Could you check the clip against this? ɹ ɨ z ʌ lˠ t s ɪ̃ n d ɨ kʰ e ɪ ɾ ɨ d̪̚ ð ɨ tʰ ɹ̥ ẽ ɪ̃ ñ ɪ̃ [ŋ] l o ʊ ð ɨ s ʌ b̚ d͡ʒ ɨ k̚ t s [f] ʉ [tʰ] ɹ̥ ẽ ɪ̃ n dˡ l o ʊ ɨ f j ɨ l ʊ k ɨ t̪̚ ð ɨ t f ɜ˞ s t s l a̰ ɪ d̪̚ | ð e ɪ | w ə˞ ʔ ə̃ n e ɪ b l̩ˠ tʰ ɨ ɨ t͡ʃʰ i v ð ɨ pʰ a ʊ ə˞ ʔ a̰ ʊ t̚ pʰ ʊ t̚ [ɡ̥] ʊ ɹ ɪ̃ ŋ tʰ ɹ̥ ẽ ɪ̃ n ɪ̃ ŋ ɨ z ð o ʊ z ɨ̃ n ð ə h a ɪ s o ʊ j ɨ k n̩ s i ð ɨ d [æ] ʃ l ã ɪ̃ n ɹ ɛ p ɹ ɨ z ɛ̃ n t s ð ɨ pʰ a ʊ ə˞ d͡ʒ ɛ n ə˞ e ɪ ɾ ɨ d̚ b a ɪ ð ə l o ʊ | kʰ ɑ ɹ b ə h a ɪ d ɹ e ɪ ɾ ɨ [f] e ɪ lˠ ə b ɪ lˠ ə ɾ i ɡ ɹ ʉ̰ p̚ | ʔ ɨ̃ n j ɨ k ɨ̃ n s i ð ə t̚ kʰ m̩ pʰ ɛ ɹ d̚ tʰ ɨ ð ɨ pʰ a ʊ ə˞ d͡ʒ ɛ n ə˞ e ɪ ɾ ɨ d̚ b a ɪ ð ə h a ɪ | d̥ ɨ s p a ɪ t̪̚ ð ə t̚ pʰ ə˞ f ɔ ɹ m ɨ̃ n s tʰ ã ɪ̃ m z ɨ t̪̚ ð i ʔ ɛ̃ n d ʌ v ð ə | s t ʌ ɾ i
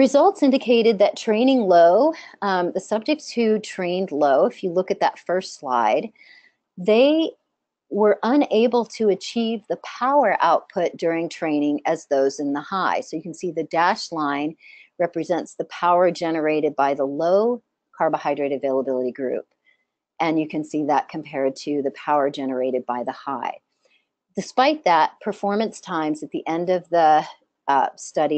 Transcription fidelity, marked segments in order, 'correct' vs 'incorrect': correct, incorrect: h, correct, incorrect: d̥, correct, incorrect: v

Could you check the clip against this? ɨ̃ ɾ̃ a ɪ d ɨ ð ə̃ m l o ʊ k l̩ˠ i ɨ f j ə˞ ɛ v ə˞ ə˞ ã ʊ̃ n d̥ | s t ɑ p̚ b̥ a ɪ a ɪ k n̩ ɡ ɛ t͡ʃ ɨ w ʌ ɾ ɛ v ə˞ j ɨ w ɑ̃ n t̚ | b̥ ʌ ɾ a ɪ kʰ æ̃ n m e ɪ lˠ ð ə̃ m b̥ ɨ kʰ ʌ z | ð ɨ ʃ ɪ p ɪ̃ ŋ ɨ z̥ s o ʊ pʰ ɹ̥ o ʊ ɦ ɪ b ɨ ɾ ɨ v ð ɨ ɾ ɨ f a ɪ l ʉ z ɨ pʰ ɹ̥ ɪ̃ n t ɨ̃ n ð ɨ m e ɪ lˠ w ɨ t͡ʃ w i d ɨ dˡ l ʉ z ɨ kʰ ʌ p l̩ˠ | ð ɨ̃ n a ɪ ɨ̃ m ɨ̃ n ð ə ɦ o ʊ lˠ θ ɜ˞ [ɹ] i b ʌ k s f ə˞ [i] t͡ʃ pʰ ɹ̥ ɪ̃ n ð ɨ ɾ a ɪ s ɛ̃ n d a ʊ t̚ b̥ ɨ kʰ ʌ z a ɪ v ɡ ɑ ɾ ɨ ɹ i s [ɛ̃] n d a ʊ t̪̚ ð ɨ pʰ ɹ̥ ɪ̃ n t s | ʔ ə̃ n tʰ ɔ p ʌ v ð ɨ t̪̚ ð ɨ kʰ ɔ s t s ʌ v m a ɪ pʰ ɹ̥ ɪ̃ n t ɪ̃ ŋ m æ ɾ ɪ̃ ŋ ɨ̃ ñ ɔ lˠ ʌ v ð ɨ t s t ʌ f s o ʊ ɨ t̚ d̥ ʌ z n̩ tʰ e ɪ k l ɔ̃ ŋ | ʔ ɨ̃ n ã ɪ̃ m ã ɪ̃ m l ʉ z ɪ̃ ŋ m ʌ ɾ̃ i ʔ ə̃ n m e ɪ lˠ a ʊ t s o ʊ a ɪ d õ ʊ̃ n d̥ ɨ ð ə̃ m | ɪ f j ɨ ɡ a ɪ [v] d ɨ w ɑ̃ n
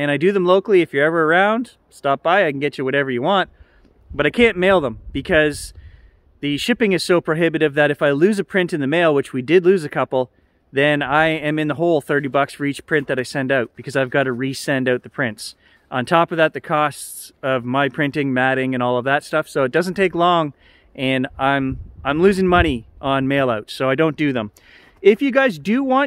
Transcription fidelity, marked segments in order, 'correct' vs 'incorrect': incorrect: ɾ, correct, correct, incorrect: z

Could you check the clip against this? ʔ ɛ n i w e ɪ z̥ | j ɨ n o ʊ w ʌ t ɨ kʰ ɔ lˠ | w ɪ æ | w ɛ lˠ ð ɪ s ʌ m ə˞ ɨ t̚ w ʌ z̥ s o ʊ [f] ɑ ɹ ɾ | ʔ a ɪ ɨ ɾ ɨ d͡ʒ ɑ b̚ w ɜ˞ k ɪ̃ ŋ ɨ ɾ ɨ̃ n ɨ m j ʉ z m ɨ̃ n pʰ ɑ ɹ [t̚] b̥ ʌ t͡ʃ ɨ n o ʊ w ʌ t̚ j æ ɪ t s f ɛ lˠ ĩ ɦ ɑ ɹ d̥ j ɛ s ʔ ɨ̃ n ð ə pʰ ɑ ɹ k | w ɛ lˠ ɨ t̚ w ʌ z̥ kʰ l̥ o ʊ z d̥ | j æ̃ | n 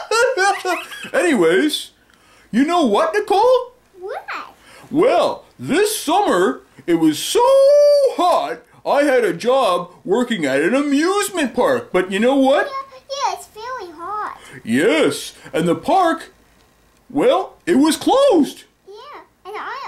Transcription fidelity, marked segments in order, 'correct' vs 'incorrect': incorrect: h, incorrect: k̚

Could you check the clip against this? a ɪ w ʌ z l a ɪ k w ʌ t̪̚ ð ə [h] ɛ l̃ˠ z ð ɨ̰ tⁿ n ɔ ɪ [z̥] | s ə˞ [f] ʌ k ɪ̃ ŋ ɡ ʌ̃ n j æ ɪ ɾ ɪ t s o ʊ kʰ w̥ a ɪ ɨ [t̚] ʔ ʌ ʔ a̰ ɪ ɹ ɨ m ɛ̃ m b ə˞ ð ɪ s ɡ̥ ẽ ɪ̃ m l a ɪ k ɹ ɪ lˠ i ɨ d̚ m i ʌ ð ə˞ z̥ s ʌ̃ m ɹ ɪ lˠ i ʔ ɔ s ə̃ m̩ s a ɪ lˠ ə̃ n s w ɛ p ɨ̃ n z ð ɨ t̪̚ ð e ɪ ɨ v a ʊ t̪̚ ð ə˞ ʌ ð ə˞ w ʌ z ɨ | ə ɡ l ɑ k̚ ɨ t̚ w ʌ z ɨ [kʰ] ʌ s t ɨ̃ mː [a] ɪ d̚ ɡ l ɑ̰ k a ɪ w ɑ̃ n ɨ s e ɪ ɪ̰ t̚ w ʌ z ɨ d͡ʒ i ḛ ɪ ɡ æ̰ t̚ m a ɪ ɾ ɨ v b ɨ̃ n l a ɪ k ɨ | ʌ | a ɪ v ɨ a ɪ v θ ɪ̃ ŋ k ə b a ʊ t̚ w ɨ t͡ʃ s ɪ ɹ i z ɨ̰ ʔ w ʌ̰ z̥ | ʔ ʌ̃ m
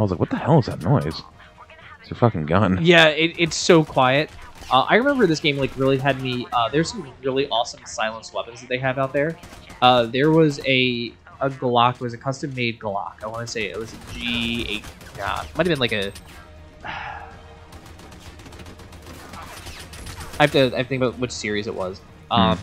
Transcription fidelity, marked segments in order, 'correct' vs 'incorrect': correct, correct, correct, correct, correct, incorrect: e

